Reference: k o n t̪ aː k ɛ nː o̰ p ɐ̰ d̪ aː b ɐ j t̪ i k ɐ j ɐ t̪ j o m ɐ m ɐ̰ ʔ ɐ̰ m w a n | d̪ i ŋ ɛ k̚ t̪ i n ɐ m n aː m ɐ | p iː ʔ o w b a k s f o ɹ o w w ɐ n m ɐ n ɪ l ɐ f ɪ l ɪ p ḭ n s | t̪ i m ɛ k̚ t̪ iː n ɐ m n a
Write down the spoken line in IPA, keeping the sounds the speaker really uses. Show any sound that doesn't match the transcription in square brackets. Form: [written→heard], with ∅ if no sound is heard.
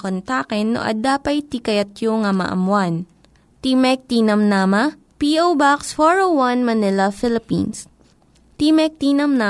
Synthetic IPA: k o n t̪ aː k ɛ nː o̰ [p→ʔ] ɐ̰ d̪ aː [b→p] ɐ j t̪ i k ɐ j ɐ t̪ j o [m→ŋ] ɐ m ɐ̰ ʔ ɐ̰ m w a n | [d̪→t̪] i [ŋ→m] ɛ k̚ t̪ i n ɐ m n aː m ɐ | p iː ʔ o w b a k s f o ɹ o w w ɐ n m ɐ n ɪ l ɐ f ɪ l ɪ p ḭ n s | t̪ i m ɛ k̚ t̪ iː n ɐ m n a